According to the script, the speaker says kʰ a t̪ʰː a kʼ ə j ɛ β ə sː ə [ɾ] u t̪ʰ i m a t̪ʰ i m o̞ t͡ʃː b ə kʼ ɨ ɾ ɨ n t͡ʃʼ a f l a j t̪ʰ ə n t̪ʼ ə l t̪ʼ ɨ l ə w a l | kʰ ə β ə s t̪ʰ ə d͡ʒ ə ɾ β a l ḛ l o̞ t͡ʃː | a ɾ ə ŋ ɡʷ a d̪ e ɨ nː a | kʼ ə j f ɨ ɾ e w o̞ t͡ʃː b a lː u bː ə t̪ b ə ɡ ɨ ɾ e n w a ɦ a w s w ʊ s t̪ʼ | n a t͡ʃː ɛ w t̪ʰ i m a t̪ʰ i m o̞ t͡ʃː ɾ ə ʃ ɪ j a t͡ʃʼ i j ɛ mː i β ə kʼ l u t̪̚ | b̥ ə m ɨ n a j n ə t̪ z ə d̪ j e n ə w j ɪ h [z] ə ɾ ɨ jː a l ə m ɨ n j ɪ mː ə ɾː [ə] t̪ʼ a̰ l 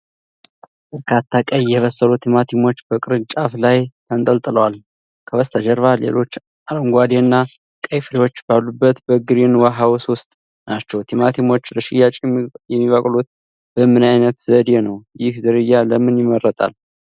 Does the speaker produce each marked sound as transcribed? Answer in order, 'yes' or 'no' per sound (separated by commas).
no, yes, yes